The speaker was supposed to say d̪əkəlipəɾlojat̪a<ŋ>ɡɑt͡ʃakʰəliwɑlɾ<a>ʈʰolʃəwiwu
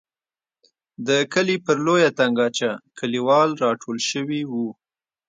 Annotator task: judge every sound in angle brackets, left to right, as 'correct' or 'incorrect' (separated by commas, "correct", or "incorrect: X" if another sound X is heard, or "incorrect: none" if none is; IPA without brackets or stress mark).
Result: correct, incorrect: ɑ